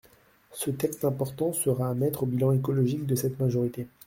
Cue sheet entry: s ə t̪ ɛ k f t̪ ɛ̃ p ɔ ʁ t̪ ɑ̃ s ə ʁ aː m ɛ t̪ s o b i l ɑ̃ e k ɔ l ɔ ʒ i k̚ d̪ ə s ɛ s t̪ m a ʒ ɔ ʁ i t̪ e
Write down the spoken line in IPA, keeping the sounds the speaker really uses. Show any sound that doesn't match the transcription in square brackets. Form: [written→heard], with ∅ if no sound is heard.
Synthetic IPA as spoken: s ə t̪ ɛ k [f→s] t̪ ɛ̃ p ɔ ʁ t̪ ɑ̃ s ə ʁ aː m ɛ t̪ [s→χ] o b i l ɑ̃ e k ɔ l ɔ ʒ i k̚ d̪ ə s ɛ [s→∅] t̪ m a ʒ ɔ ʁ i t̪ e